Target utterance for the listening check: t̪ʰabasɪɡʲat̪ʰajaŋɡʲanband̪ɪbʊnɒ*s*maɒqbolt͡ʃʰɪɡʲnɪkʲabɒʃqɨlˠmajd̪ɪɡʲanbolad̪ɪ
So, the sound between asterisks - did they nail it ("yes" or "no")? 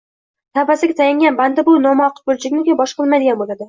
no